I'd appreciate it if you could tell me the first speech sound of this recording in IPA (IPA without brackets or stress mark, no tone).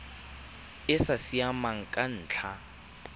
ɪ